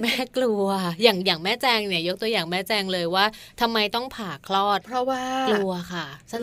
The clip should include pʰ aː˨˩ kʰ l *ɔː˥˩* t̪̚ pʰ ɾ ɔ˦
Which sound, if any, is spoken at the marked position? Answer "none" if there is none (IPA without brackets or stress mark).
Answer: ɔː˥˩